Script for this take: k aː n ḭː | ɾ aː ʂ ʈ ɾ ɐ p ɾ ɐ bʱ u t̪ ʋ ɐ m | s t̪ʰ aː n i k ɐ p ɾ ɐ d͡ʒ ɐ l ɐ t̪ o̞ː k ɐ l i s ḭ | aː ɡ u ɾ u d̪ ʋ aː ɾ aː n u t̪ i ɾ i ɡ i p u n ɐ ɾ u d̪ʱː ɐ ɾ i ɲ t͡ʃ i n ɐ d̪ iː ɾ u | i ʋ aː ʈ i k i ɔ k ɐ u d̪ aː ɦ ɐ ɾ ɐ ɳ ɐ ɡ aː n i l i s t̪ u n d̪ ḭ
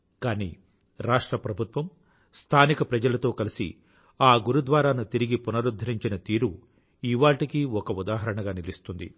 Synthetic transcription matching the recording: k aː n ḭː | ɾ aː ʂ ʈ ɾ ɐ p ɾ ɐ bʱ u t̪ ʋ ɐ m | s t̪ʰ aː n i k ɐ p ɾ ɐ d͡ʒ ɐ l ɐ t̪ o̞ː k ɐ l i s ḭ | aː ɡ u ɾ u d̪ ʋ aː ɾ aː n u t̪ i ɾ i ɡ i p u n ɐ ɾ u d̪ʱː ɐ ɾ i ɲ t͡ʃ i n ɐ t̪ iː ɾ u | i ʋ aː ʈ i k i ɔ k ɐ u d̪ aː ɦ ɐ ɾ ɐ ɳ ɐ ɡ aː n i l i s t̪ u n d̪ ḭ